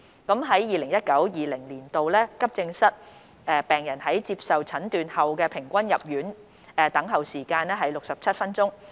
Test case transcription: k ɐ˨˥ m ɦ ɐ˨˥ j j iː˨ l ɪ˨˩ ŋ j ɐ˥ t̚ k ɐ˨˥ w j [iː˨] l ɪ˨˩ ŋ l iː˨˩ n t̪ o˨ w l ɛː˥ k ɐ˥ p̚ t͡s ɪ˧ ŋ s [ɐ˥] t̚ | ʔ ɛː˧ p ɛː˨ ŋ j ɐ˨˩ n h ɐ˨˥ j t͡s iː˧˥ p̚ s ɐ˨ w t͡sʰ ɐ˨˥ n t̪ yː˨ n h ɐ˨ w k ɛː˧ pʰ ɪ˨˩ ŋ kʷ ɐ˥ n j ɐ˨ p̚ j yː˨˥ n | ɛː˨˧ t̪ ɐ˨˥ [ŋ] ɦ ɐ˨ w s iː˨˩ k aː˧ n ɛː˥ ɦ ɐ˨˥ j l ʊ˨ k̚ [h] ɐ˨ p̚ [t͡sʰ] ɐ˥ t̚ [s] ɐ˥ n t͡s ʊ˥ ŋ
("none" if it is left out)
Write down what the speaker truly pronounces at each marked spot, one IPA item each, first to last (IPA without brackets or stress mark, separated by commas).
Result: iː˨, ɐ˥, ŋ, s, t͡sʰ, f